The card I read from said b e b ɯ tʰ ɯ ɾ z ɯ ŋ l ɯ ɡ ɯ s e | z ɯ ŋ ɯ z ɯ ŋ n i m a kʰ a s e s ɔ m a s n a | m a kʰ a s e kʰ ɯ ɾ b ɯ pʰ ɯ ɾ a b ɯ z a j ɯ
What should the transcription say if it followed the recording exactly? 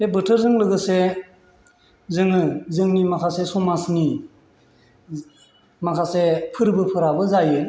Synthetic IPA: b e b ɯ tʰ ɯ ɾ z ɯ ŋ l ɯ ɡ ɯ s e | z ɯ ŋ ɯ z ɯ ŋ n i m a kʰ a s e s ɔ m a s n i | m a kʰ a s e pʰ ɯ ɾ b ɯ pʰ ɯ ɾ a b ɯ z a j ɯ